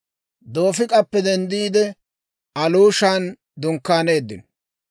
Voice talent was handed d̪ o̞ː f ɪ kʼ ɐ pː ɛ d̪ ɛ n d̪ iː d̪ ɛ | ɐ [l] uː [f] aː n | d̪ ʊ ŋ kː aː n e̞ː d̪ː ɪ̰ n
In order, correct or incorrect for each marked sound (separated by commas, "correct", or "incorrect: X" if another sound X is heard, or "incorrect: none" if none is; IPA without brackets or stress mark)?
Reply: correct, incorrect: ʃ